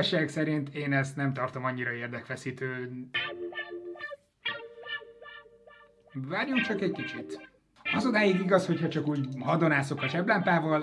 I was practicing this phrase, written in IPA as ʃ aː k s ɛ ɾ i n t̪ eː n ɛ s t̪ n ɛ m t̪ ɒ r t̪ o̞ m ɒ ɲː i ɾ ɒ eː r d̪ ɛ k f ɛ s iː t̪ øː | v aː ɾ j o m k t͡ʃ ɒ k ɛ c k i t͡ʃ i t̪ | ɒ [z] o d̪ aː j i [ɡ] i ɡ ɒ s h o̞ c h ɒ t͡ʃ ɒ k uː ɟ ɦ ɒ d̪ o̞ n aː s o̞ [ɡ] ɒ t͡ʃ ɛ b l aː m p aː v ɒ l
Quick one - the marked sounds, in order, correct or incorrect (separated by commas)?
correct, correct, incorrect